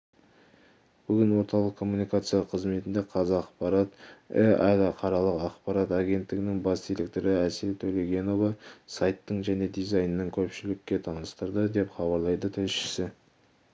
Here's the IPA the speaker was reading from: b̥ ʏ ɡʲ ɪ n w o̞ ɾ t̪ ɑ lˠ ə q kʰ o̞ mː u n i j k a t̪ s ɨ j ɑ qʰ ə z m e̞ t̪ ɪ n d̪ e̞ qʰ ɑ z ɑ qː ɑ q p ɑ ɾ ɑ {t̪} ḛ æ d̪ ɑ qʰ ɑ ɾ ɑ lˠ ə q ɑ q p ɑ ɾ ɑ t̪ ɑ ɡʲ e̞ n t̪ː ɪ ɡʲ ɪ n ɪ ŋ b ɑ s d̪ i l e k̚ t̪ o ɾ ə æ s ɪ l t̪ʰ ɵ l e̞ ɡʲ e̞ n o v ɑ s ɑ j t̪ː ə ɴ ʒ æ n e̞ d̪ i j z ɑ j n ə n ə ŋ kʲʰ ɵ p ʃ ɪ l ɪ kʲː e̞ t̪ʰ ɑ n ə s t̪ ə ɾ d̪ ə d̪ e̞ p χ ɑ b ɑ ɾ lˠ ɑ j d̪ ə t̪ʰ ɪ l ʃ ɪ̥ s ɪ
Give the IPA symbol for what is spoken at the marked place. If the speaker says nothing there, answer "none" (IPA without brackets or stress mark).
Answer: t̪